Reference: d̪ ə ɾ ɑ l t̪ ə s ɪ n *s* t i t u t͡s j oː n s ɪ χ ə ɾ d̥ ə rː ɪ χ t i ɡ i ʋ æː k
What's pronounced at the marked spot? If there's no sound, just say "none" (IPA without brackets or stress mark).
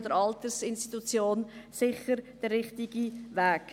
s